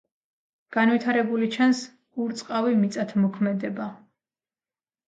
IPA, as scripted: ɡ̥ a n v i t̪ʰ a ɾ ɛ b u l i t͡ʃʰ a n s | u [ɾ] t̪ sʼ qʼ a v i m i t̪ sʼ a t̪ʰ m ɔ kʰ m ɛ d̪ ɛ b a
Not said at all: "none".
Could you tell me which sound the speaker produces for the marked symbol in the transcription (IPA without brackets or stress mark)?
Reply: ɾ